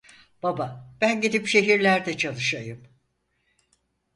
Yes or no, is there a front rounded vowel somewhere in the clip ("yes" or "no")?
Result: no